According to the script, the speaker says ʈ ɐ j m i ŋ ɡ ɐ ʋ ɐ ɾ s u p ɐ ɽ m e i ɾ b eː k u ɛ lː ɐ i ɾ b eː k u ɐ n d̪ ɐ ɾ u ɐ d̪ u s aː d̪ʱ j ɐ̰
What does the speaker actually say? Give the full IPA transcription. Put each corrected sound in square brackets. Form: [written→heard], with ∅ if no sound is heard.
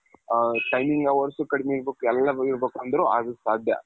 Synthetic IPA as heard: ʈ ɐ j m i ŋ ɡ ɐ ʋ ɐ ɾ s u [p→k] ɐ ɽ m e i ɾ b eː k u ɛ lː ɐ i ɾ b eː k u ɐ n d̪ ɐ ɾ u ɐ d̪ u s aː d̪ʱ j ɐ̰